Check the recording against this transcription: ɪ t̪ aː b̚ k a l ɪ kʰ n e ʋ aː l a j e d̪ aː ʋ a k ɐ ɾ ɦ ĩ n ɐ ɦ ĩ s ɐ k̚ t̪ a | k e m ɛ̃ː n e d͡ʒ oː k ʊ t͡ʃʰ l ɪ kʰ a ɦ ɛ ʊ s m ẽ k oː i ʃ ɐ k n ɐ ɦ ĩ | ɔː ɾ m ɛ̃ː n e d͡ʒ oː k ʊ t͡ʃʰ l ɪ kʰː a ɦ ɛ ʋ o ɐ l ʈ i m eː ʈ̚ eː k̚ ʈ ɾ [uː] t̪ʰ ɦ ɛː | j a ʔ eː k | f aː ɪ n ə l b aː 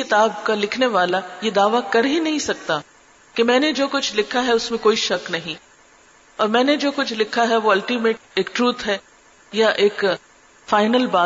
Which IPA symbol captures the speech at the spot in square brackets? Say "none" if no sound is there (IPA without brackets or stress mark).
uː